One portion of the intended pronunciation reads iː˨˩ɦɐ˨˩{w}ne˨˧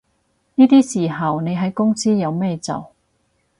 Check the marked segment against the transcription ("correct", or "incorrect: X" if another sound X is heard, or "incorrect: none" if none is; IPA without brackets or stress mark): correct